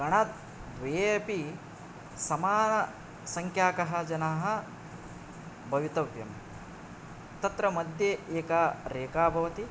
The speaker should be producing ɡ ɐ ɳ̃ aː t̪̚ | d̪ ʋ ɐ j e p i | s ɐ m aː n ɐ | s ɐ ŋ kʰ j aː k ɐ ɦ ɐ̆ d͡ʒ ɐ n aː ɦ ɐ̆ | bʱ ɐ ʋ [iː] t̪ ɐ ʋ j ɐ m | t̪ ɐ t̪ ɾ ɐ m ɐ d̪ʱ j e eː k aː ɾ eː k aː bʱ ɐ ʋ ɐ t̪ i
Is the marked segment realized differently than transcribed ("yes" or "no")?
yes